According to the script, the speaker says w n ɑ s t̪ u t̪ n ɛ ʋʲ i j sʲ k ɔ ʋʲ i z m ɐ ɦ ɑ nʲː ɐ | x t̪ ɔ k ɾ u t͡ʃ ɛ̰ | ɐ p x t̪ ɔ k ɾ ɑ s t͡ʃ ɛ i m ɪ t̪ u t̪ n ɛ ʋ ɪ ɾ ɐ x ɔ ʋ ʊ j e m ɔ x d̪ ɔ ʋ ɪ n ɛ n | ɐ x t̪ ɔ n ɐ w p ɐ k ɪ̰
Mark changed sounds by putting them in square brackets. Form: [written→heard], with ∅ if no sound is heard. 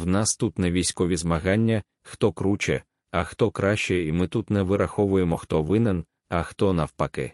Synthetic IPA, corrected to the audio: w n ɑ s t̪ u t̪ n ɛ ʋʲ i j sʲ k ɔ ʋʲ i z m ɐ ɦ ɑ nʲː ɐ | x t̪ ɔ k ɾ u t͡ʃ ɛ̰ | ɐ [p→∅] x t̪ ɔ k ɾ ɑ [s→ʃ] t͡ʃ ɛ i m ɪ t̪ u t̪ n ɛ ʋ ɪ ɾ ɐ x ɔ ʋ ʊ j e m ɔ x [d̪→t̪] ɔ ʋ ɪ n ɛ n | ɐ x t̪ ɔ n ɐ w p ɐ k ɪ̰